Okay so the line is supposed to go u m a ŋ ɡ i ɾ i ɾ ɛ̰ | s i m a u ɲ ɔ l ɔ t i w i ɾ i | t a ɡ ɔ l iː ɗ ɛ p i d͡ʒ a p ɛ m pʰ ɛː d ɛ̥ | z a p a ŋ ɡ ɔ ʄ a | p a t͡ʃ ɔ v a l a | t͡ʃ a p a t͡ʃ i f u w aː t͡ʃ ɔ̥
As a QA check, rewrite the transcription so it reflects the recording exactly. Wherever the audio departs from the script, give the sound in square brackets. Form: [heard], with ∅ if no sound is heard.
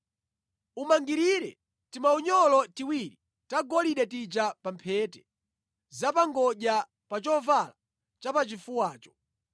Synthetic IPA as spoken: u m a ŋ ɡ i ɾ i ɾ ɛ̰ | [t] i m a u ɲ ɔ l ɔ t i w i ɾ i | t a ɡ ɔ l [i] ɗ ɛ [t] i d͡ʒ a p [a] m pʰ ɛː [t] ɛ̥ | z a p a ŋ ɡ ɔ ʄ a | p a t͡ʃ ɔ v a l a | t͡ʃ a p a t͡ʃ i f u w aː t͡ʃ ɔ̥